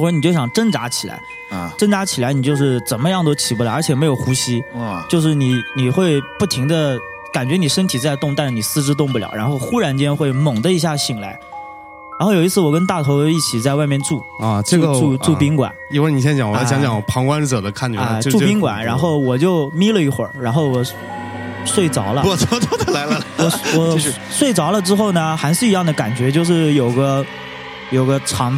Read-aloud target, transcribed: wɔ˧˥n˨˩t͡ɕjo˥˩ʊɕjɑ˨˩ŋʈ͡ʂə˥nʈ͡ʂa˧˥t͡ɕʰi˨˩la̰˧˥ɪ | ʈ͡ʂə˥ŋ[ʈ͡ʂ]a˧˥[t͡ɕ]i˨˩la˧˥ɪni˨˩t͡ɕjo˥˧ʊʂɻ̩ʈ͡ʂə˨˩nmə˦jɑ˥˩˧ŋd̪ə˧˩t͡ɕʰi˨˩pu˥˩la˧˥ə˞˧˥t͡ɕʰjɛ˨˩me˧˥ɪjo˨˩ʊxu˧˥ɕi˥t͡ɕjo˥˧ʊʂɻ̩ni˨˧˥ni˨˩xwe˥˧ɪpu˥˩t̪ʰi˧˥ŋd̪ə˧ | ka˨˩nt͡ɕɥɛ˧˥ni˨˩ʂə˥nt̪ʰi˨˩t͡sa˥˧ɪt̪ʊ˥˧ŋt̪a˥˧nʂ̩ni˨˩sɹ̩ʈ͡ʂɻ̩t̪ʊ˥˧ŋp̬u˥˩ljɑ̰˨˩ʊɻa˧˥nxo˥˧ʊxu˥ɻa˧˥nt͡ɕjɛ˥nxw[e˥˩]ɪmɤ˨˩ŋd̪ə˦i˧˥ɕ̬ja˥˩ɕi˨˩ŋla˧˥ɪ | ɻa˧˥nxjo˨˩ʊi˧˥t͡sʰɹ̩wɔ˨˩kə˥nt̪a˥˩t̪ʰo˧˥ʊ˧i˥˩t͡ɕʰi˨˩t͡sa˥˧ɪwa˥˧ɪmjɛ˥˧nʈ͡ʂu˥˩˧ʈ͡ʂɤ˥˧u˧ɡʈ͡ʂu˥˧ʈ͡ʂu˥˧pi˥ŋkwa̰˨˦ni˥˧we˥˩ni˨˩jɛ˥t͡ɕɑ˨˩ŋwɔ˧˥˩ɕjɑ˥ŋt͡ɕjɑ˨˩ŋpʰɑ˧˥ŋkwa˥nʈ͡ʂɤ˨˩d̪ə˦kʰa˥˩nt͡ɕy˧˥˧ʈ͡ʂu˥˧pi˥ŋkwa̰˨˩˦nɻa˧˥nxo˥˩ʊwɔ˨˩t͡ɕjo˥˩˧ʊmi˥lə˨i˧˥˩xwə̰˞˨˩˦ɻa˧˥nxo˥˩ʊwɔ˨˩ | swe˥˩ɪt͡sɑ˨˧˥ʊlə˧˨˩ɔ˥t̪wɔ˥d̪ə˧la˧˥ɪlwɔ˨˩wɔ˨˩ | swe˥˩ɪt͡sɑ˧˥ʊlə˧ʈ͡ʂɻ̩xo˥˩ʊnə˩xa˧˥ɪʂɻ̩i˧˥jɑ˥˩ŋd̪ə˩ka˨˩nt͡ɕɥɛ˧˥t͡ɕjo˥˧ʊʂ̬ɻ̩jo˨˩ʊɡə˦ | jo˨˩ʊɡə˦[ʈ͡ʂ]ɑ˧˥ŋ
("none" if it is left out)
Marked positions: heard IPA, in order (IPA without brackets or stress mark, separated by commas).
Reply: ʈ͡ʂ, t͡ɕʰ, e˥˩, ʈ͡ʂʰ